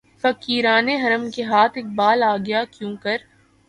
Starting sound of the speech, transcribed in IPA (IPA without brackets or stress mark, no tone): f